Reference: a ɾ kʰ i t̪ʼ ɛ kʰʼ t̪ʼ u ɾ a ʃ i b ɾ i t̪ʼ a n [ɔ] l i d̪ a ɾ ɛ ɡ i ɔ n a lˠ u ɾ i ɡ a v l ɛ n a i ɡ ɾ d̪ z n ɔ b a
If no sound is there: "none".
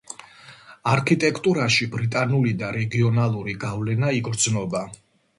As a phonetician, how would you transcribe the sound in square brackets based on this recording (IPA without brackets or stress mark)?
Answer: u